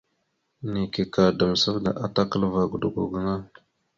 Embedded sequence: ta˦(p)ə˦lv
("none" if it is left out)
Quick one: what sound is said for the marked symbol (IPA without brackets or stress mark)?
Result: k